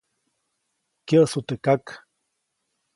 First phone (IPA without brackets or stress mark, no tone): k